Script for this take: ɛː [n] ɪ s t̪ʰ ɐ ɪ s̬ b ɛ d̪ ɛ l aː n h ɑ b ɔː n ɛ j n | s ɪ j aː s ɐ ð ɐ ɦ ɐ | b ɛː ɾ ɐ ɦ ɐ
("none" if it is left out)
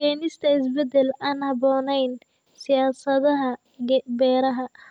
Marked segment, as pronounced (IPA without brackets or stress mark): n